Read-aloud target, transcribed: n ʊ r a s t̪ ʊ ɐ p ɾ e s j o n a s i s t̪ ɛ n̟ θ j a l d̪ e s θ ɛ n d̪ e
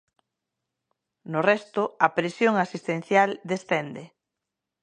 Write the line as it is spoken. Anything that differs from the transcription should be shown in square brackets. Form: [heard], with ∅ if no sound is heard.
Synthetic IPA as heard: n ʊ r [ɛ] s t̪ ʊ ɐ p ɾ e s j o [ŋ] a s i s t̪ [e] n̟ θ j a l d̪ e s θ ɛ n d̪ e